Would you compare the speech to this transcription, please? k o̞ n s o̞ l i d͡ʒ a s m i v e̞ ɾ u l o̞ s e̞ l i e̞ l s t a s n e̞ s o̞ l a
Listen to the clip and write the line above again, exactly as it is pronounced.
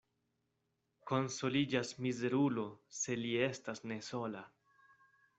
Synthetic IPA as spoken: k o̞ n s o̞ l i d͡ʒ a s m i z e̞ ɾ u l o̞ s e̞ l i e̞ s t a s n e̞ s o̞ l a